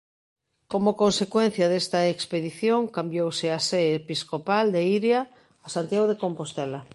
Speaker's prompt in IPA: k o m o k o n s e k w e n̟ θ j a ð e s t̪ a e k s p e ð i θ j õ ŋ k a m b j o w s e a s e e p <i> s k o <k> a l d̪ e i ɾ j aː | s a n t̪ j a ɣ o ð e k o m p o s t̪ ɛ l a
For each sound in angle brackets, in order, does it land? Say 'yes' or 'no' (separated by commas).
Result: yes, no